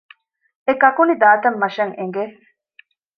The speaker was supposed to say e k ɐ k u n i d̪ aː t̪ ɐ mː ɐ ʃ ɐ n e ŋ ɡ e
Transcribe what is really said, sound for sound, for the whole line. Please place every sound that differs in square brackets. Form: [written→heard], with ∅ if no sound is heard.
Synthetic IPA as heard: e k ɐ k u n i d̪ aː t̪ ɐ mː ɐ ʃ ɐ [n→ŋ] e ŋ ɡ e